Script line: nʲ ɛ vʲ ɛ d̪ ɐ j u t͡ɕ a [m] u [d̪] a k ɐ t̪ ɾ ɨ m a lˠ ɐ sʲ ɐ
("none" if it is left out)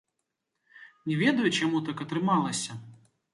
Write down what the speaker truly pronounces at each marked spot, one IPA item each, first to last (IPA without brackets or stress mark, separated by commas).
m, t̪